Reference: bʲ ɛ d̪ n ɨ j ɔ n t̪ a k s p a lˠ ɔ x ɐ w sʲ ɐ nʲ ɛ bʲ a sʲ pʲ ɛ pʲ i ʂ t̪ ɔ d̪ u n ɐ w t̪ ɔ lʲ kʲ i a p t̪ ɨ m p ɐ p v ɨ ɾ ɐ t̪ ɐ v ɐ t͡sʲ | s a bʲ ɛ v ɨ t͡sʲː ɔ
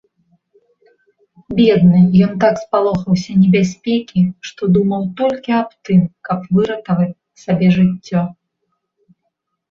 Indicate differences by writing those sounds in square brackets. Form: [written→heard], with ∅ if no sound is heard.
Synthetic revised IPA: bʲ ɛ d̪ n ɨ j ɔ n t̪ a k s p a lˠ ɔ x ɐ w sʲ ɐ nʲ ɛ bʲ a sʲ pʲ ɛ [pʲ→kʲ] i ʂ t̪ ɔ d̪ u [n→m] ɐ w t̪ ɔ lʲ kʲ i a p t̪ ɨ m [p→k] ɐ p v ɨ ɾ ɐ t̪ ɐ v ɐ t͡sʲ | s a bʲ ɛ [v→ʐ] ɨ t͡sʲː ɔ